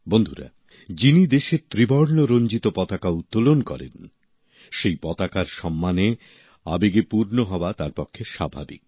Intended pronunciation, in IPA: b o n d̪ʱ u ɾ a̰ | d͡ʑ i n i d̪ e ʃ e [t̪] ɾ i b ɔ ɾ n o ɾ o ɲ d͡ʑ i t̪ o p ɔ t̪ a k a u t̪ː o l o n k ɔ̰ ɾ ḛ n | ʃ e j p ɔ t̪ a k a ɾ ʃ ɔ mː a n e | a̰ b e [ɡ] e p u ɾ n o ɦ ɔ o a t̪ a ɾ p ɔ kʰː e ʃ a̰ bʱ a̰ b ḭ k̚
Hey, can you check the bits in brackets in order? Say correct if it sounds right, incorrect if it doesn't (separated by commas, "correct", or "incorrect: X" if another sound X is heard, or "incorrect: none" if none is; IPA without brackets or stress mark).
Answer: correct, correct